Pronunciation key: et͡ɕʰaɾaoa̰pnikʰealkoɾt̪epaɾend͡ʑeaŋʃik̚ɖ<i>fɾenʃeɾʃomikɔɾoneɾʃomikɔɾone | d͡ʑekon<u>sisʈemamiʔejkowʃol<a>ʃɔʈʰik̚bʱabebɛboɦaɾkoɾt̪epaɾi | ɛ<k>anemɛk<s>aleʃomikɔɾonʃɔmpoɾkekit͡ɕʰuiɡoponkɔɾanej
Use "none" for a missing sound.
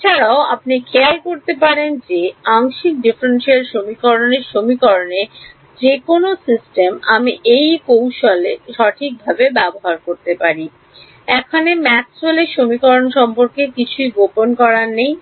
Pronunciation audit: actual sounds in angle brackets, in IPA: i, o, e, kʰ, s

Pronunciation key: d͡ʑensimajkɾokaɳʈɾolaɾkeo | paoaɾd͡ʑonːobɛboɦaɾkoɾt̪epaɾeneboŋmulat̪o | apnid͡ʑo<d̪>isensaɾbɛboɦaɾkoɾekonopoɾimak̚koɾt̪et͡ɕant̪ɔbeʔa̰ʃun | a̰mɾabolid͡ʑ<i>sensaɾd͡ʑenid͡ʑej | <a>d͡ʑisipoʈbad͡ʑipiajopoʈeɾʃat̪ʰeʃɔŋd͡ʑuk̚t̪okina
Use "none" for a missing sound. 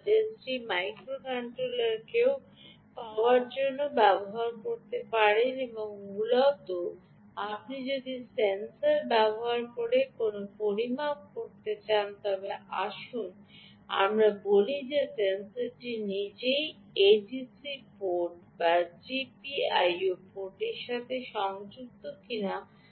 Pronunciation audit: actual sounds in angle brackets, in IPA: d̪, e, e

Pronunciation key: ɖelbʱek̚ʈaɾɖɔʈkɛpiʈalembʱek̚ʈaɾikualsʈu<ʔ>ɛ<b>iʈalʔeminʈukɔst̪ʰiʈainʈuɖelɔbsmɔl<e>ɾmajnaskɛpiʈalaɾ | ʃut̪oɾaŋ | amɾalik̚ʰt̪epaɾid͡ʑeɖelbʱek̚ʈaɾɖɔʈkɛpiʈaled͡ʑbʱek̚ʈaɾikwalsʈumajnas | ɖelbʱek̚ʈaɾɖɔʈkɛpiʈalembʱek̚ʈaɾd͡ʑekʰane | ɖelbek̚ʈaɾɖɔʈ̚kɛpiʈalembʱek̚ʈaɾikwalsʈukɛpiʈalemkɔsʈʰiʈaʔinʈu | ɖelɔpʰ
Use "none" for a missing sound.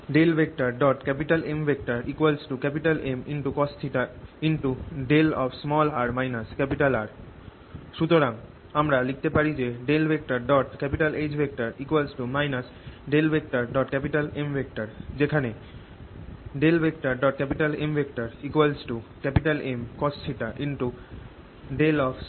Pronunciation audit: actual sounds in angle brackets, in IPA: k, p, a

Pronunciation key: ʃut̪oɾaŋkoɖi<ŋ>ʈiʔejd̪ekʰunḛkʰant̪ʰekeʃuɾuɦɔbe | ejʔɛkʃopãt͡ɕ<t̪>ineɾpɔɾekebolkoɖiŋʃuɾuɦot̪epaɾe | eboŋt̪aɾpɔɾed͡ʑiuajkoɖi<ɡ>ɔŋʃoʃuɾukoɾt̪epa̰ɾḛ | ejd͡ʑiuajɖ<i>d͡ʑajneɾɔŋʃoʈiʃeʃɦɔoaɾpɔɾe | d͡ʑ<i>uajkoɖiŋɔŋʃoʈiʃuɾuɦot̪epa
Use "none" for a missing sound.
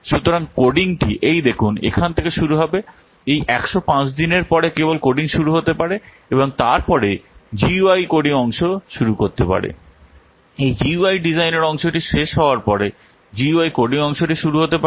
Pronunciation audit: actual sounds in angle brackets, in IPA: ŋ, d̪, ŋ, i, i

